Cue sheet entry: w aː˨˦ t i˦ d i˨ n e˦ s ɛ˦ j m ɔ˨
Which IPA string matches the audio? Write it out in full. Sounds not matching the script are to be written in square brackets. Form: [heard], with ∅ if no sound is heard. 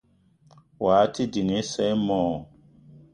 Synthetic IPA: w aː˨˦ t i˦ d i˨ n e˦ s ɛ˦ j m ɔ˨